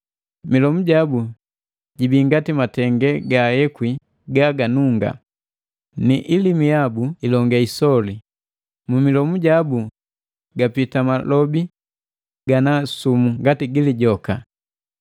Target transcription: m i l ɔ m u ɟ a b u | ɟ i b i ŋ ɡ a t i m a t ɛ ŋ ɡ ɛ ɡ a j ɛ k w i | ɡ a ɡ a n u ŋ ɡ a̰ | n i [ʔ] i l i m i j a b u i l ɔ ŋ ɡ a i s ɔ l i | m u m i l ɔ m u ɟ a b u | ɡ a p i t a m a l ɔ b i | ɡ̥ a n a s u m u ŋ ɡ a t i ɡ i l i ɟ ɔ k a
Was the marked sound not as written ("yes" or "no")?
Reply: no